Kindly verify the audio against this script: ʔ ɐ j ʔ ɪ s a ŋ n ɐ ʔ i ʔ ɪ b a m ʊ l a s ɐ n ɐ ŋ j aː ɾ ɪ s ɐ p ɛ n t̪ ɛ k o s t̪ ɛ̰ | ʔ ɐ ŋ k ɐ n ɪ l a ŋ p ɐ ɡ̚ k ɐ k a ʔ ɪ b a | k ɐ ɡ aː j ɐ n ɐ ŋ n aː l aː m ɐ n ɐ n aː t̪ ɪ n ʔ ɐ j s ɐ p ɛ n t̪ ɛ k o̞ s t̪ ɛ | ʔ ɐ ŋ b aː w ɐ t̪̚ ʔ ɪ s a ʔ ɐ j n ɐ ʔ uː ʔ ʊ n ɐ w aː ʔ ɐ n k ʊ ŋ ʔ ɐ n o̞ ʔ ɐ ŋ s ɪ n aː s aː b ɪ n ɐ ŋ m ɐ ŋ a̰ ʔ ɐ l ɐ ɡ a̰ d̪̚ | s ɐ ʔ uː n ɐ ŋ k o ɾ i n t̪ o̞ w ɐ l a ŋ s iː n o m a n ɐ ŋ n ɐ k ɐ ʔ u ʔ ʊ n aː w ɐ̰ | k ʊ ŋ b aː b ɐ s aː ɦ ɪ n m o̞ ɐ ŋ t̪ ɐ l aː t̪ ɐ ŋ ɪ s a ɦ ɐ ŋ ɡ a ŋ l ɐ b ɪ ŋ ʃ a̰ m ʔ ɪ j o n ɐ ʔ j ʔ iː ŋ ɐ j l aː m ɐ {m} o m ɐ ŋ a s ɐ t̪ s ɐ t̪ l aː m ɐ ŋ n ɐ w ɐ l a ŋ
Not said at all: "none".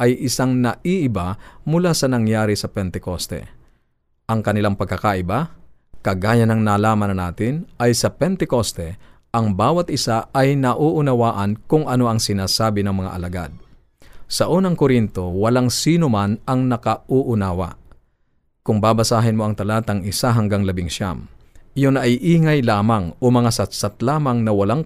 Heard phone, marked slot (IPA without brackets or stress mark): ŋ